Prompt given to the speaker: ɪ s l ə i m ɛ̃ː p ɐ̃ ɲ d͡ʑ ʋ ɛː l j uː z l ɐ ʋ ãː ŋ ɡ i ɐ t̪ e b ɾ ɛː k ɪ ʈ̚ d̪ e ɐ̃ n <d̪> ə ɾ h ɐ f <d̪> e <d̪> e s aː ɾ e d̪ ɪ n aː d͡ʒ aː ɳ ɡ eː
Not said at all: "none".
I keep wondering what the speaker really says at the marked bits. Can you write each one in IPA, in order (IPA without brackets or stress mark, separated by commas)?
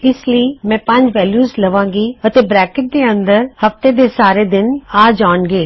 d̪, t̪, d̪